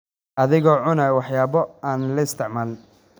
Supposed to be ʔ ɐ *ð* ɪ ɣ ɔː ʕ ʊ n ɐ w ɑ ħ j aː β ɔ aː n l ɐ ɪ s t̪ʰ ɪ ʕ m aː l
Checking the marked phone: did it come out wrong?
no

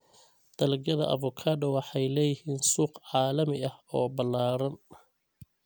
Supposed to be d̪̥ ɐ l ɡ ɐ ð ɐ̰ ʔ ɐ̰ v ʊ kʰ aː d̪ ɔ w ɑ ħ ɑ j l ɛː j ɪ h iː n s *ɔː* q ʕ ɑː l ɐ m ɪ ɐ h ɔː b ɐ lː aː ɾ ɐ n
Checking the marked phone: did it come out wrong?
yes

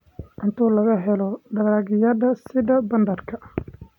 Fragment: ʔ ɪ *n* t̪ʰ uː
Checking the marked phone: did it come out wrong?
no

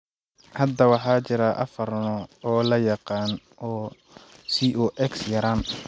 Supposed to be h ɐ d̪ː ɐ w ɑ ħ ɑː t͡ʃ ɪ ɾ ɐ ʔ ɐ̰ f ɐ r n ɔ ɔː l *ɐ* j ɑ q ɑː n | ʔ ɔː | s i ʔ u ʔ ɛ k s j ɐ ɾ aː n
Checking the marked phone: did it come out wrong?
no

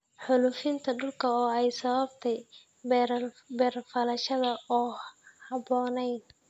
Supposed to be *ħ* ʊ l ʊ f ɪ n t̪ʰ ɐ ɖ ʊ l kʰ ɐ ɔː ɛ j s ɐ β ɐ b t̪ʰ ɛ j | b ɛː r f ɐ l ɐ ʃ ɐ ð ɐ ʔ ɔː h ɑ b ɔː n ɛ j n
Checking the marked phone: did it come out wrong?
no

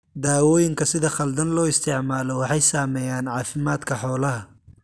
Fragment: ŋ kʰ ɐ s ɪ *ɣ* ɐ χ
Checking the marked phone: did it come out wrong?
yes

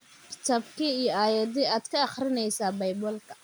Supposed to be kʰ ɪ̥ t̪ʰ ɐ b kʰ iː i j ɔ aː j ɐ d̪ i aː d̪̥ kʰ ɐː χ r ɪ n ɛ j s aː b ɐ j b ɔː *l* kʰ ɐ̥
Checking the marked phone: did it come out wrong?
no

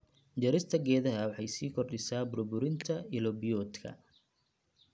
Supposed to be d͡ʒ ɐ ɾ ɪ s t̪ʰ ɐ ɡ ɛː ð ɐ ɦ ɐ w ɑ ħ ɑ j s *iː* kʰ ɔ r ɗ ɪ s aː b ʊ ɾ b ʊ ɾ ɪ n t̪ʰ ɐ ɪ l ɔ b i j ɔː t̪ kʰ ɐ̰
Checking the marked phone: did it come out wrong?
no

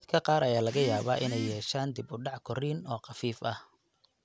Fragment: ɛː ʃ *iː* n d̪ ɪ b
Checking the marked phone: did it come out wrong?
yes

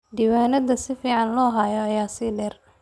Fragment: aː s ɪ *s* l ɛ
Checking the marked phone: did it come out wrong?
yes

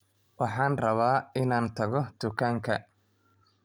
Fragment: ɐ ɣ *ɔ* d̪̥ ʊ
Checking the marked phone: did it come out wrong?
no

